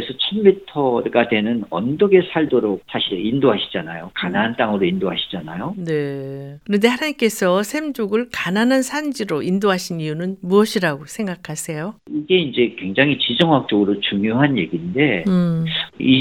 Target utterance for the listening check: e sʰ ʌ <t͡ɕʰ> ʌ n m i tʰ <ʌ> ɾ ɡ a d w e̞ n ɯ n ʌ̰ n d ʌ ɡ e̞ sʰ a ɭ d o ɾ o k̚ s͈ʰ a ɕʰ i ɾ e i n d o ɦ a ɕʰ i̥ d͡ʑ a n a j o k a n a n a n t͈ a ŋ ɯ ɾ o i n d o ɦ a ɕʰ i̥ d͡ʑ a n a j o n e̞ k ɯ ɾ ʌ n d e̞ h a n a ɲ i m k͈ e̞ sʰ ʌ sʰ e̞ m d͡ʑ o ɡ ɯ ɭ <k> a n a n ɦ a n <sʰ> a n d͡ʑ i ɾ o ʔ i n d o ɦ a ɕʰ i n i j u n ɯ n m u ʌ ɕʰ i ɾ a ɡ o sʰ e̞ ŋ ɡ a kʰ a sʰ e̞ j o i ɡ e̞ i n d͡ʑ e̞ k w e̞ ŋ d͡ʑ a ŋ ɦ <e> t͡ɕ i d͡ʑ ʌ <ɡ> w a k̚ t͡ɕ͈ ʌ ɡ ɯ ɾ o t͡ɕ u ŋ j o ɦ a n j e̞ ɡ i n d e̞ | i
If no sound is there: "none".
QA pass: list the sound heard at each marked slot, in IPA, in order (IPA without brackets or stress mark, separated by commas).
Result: t͡ɕʰ, ʌ, k, sʰ, i, ŋ